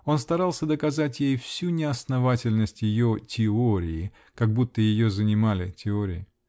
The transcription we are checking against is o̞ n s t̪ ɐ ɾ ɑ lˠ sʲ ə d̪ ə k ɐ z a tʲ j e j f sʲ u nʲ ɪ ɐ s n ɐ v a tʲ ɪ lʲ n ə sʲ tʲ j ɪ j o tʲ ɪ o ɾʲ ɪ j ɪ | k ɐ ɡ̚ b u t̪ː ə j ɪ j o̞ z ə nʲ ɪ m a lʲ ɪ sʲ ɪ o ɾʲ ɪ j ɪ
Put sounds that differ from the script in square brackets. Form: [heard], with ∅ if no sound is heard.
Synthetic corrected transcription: o̞ n s t̪ ɐ ɾ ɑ lˠ sʲ ə d̪ ə k ɐ z a tʲ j e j f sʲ u nʲ ɪ ɐ s n ɐ v a tʲ ɪ lʲ n ə sʲ tʲ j ɪ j o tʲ ɪ o ɾʲ ɪ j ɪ | k ɐ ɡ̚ b u t̪ː ə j ɪ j o̞ z ə nʲ ɪ m a lʲ ɪ [tʲ] ɪ o ɾʲ ɪ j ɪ